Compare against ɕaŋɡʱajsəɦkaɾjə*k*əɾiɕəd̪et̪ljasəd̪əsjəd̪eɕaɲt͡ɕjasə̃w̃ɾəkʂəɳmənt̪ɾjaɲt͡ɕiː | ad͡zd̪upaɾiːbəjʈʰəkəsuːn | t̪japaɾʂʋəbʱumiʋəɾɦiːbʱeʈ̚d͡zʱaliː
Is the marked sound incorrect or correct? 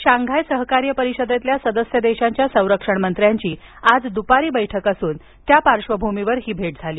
incorrect: p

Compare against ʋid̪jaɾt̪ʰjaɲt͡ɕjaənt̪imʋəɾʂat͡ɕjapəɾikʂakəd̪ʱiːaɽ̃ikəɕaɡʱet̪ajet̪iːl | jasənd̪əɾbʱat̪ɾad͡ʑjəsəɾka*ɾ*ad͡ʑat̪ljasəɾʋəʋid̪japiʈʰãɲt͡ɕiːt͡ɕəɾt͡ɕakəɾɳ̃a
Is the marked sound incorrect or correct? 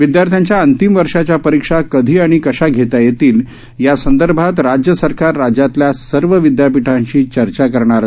incorrect: ɾː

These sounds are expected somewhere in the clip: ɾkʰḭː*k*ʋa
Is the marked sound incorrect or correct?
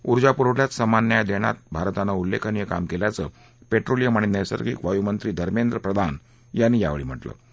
correct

